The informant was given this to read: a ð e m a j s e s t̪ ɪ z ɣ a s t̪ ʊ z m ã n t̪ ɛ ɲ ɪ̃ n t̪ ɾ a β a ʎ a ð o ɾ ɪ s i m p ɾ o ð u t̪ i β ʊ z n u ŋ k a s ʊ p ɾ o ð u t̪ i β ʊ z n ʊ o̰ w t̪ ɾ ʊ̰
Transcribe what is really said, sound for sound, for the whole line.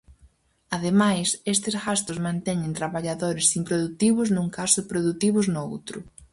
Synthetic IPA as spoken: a ð e m a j s e s t̪ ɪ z ɣ a s t̪ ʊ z m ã n t̪ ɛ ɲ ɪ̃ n t̪ ɾ a β a ʎ a ð o ɾ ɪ s i m p ɾ o ð u t̪ i β ʊ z n u ŋ k a s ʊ p ɾ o ð u t̪ i β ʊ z n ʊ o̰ w t̪ ɾ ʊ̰